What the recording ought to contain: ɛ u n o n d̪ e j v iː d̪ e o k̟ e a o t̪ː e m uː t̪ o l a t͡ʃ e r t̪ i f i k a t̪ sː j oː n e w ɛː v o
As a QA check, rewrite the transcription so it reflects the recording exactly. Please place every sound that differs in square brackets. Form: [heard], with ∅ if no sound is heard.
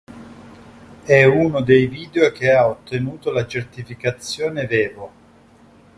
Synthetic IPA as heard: ɛ u n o [∅] d̪ e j v iː d̪ e o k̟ e a o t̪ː e [n] uː t̪ o l a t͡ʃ e r t̪ i f i k a t̪ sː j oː n e [v] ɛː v o